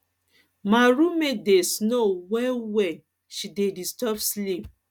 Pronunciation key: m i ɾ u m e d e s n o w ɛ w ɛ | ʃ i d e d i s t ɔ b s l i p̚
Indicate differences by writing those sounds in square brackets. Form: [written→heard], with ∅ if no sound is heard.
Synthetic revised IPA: m [i→a] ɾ u m e d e s n o w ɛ w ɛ | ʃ i d e d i s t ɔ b s l i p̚